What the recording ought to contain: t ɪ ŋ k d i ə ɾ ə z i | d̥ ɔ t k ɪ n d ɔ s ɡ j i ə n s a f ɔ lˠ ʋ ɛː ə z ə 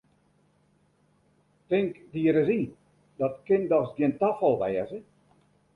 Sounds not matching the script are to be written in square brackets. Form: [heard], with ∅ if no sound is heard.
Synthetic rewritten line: t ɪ ŋ k d i ə ɾ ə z i | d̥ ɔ t k ɪ n d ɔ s ɡ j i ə n [t] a f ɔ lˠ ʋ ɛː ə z ə